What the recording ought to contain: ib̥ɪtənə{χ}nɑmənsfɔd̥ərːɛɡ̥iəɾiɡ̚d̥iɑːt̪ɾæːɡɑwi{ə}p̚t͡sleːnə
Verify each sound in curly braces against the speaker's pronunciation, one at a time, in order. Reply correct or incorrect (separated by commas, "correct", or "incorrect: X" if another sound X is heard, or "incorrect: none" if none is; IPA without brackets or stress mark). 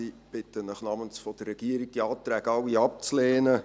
correct, incorrect: ɑ